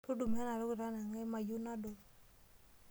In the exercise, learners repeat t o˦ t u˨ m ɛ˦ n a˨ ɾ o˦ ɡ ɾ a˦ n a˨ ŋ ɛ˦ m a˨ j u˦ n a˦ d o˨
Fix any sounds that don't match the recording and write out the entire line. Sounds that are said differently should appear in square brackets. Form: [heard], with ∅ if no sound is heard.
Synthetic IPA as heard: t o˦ [d] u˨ m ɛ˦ n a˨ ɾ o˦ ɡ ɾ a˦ n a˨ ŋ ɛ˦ m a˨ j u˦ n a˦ d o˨